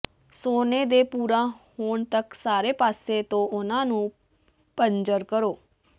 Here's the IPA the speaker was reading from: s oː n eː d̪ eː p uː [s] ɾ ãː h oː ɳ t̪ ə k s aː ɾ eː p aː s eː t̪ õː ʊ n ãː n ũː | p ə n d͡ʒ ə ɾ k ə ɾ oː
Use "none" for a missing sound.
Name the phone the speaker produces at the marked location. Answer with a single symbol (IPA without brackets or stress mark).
none